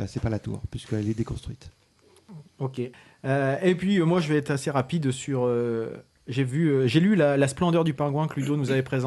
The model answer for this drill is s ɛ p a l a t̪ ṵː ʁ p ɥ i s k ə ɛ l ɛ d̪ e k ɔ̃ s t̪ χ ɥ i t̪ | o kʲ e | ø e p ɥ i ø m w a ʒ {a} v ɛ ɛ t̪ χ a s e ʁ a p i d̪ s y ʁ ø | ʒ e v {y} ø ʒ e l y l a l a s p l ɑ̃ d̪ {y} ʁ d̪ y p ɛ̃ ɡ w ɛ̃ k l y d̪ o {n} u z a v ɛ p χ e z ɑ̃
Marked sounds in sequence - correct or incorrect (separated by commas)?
incorrect, correct, incorrect, correct